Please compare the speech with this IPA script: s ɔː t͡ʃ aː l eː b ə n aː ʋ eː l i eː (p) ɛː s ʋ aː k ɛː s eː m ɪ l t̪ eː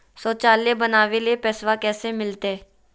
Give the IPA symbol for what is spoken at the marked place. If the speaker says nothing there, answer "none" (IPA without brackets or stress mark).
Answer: p